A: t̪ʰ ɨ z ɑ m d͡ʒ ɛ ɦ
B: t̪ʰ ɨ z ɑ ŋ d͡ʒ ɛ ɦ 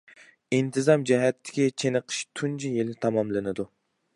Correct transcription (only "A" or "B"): A